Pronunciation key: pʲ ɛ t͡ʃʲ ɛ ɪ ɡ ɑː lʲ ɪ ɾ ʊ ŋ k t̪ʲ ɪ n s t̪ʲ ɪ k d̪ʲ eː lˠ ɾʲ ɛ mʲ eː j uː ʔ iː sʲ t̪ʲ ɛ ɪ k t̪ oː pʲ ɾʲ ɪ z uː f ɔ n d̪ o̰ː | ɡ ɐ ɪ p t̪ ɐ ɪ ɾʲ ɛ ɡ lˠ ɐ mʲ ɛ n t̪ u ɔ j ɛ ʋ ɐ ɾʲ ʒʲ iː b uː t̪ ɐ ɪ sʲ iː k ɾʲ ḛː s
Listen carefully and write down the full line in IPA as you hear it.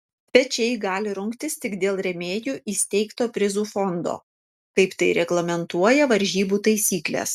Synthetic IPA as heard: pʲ ɛ t͡ʃʲ ɛ ɪ ɡ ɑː lʲ ɪ ɾ ʊ ŋ k t̪ʲ ɪ s t̪ʲ ɪ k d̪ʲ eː lˠ ɾʲ ɛ mʲ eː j uː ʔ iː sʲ t̪ʲ ɛ ɪ k t̪ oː pʲ ɾʲ ɪ z uː f ɔ n d̪ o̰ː | k ɐ ɪ p t̪ ɐ ɪ ɾʲ ɛ ɡ lˠ ɐ mʲ ɛ n t̪ u ɔ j ɛ ʋ ɐ ɾʲ ʒʲ iː b uː t̪ ɐ ɪ sʲ iː k lʲ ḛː s

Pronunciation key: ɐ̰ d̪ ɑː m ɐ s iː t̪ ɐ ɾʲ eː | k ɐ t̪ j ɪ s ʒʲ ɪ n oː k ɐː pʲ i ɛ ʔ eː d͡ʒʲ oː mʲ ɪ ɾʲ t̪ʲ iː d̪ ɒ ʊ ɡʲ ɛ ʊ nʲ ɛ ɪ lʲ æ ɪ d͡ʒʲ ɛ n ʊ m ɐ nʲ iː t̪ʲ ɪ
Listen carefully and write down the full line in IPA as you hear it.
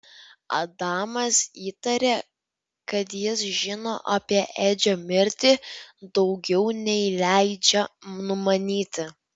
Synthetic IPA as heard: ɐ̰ d̪ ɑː m ɐ s iː t̪ ɐ ɾʲ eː | k ɐ t̪ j ɪ s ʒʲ ɪ n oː ʔ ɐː pʲ i ɛ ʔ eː d͡ʒʲ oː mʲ ɪ ɾʲ t̪ʲ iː d̪ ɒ ʊ ɡʲ ɛ ʊ nʲ ɛ ɪ lʲ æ ɪ d͡ʒʲ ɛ n ʊ m ɐ nʲ iː t̪ʲ ɪ

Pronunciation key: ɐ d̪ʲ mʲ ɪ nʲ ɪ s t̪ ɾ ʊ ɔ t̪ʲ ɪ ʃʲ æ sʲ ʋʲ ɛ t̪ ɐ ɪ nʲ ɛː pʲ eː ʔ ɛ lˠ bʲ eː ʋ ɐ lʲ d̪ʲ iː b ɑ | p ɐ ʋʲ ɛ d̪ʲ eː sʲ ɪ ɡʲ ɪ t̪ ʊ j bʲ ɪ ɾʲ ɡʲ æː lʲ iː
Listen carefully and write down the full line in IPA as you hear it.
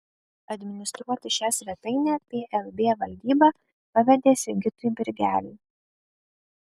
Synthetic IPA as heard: ɐ d̪ʲ mʲ ɪ nʲ ɪ s t̪ ɾ u ɔ t̪ʲ ɪ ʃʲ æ sʲ ʋʲ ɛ t̪ ɐ ɪ nʲ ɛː pʲ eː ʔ ɛ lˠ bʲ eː ʋ ɐ lʲ d̪ʲ iː b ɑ | p ɐ ʋʲ ɛ d̪ʲ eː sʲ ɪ ɡʲ ɪ t̪ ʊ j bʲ ɪ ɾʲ ɡʲ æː lʲ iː

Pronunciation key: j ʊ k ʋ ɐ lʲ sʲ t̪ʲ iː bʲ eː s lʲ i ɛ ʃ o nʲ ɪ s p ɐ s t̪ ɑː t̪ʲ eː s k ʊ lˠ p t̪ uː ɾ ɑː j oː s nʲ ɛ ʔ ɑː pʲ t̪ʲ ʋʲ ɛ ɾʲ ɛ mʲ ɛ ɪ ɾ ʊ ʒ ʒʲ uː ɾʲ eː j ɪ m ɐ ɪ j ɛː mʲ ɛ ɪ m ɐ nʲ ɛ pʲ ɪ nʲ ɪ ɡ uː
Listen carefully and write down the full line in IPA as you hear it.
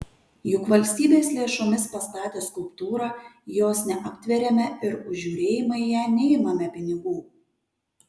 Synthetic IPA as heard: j ʊ k ʋ ɐ lʲ sʲ t̪ʲ iː bʲ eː s lʲ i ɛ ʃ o mʲ ɪ s p ɐ s t̪ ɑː t̪ʲ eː s k ʊ lˠ p t̪ uː ɾ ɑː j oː s nʲ ɛ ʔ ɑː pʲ t̪ʲ ʋʲ ɛ ɾʲ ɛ mʲ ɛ ɪ ɾ ʊ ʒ ʒʲ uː ɾʲ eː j ɪ m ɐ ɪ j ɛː nʲ ɛ ɪ m ɐ mʲ ɛ pʲ ɪ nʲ ɪ ɡ uː

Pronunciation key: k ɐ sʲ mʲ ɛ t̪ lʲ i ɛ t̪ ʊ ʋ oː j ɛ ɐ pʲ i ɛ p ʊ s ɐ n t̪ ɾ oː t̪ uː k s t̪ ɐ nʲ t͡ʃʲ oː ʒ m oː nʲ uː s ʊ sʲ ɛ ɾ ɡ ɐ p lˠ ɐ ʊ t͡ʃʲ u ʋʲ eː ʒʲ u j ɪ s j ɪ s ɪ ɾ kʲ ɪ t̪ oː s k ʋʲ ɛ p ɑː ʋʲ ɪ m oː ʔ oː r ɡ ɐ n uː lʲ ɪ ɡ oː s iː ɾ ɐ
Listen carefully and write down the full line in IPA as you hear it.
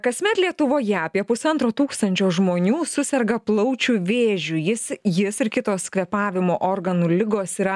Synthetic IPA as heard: k ɐ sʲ mʲ ɛ t̪ lʲ i ɛ t̪ ʊ ʋ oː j ɛ ɐ pʲ i ɛ p ʊ s ɐ n t̪ ɾ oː t̪ uː k s t̪ ɐ nʲ t͡ʃʲ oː ʒ m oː nʲ uː s ʊ sʲ ɛ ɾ ɡ ɐ p lˠ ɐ ʊ t͡ʃʲ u ʋʲ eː ʒʲ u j ɪ s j ɪ s ɪ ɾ kʲ ɪ t̪ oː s k ʋʲ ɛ p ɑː ʋʲ ɪ m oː ʔ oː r ɡ ɐ n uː lʲ ɪ ɡ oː s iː ɾ ɐ

